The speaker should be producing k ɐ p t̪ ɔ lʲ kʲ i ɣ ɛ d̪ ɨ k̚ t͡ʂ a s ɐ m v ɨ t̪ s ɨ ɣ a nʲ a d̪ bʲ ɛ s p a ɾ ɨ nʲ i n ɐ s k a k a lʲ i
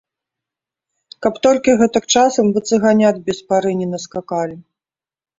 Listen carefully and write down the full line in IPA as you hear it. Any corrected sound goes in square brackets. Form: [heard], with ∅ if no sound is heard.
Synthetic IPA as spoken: k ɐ p t̪ ɔ lʲ kʲ i ɣ ɛ [t̪] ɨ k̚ t͡ʂ a s ɐ m v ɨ t̪ s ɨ ɣ a nʲ a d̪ bʲ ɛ s p a ɾ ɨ nʲ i n ɐ s k a k a lʲ i